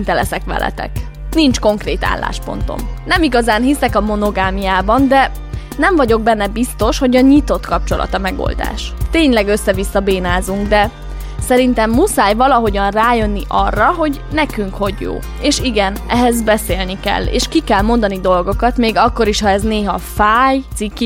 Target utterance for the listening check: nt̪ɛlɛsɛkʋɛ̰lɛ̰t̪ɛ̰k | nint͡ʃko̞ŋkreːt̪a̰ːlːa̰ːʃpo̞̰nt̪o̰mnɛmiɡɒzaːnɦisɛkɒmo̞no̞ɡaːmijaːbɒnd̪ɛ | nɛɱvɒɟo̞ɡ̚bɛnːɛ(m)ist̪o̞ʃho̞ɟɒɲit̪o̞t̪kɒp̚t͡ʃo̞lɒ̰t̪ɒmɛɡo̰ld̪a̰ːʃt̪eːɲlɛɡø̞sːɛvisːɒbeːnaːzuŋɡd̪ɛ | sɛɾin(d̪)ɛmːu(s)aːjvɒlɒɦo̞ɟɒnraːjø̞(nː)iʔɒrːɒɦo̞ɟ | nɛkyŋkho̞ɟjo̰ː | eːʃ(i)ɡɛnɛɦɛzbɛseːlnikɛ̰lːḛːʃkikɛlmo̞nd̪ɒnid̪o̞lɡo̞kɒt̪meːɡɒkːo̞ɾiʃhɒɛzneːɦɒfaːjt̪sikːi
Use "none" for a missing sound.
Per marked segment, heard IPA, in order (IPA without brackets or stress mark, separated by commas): b, t̪, s, nː, i